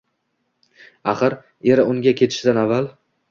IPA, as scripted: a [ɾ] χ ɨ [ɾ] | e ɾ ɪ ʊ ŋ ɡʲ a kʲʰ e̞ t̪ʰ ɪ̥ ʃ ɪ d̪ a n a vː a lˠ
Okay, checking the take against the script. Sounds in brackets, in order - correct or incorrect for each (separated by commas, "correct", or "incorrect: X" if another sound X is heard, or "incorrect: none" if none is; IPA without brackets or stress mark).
incorrect: none, correct